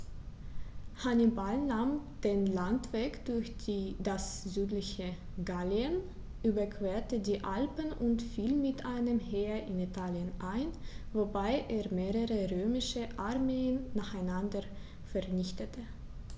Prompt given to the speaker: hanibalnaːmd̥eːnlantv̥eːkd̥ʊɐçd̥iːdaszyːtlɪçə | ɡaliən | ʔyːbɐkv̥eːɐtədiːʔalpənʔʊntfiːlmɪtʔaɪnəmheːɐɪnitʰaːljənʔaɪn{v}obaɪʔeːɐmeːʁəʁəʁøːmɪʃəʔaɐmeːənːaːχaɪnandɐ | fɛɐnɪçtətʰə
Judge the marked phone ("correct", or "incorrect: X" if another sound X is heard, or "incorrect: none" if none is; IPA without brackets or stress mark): correct